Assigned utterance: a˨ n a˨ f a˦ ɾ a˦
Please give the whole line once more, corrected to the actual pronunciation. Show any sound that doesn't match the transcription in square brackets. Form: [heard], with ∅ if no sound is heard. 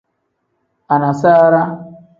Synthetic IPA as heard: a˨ n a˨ [s] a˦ ɾ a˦